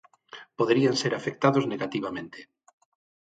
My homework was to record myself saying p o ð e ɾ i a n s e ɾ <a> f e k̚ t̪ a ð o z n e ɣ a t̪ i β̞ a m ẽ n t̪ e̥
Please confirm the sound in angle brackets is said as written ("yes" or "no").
yes